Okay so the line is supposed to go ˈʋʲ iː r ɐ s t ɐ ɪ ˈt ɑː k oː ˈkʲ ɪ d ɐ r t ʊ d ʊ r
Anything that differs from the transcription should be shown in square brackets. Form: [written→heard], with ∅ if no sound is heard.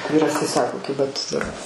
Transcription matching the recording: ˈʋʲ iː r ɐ s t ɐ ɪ [ˈt→ˈs] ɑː k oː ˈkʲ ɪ [d→b] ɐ [r→∅] t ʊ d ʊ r